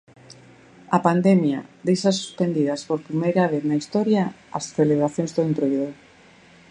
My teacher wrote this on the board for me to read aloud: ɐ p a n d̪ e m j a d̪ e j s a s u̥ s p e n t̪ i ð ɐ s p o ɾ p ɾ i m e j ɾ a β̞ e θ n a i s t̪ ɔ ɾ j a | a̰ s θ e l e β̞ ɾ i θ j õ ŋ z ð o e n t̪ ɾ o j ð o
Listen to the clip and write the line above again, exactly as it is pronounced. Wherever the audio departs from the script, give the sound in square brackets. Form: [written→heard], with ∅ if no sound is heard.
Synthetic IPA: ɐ p a n d̪ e m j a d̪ e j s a s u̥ s p e n [t̪→d̪] i ð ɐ s p o ɾ p ɾ i m e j ɾ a β̞ e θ n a i s t̪ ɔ ɾ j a | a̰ s θ e l e β̞ ɾ [i→a] θ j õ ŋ z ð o e n t̪ ɾ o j ð o